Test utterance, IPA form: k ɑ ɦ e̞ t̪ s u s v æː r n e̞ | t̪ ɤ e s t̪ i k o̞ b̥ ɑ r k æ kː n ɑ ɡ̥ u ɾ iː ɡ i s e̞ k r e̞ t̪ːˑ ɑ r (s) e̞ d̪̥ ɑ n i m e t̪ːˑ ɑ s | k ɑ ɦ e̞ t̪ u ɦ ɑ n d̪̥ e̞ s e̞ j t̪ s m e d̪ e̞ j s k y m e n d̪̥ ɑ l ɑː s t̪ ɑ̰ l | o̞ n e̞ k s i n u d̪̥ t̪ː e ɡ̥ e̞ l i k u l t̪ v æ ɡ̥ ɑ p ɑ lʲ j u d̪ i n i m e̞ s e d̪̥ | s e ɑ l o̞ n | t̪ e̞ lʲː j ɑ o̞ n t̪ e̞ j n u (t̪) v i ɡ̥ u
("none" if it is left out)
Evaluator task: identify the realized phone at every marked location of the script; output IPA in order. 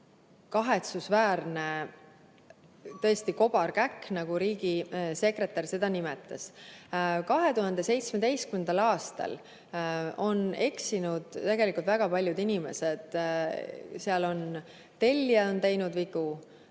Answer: s, d̪

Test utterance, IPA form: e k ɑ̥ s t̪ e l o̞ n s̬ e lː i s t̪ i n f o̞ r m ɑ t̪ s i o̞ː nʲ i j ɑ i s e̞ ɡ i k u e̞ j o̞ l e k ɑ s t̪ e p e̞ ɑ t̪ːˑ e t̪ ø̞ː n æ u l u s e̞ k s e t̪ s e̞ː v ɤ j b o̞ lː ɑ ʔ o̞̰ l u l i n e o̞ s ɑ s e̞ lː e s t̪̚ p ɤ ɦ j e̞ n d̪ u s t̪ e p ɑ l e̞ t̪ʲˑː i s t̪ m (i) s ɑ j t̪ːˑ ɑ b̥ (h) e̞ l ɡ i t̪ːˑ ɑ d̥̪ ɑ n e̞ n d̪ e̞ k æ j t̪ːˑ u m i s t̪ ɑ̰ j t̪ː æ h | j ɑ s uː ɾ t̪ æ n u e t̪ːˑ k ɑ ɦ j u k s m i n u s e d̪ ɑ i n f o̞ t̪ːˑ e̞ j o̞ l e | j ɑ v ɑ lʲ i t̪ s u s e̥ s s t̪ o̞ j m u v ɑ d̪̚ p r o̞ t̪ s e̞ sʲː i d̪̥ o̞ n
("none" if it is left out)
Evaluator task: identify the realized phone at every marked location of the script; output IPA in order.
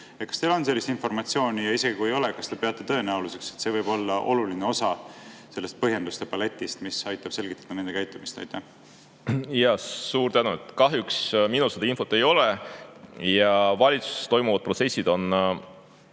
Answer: i, s

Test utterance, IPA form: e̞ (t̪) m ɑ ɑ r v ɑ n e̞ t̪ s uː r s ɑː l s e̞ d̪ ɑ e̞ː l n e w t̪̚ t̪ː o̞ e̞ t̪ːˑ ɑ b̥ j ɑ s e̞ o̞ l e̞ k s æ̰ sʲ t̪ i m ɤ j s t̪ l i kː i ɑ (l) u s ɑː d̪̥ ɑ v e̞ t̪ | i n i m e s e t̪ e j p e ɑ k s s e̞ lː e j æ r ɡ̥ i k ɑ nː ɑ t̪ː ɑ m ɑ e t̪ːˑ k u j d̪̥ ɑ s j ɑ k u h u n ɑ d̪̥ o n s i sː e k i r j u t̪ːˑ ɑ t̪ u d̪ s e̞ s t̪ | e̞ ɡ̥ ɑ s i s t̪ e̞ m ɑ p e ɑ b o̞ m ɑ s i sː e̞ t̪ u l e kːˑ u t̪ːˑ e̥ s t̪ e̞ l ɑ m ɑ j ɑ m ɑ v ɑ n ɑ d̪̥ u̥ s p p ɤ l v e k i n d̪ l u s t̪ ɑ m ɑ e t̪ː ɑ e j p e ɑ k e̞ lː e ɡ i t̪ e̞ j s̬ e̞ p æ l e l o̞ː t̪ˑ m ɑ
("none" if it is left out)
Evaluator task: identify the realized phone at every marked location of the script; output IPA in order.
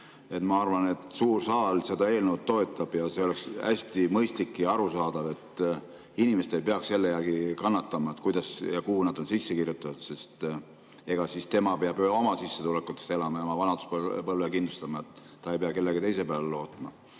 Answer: t̪, ɾ

